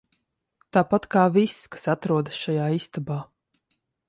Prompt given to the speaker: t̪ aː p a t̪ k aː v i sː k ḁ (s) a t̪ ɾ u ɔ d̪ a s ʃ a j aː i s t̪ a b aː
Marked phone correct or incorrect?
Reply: correct